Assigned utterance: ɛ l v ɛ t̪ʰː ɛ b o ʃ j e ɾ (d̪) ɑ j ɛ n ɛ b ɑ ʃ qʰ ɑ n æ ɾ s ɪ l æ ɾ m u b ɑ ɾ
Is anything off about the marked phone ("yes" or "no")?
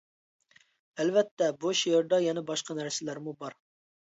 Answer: no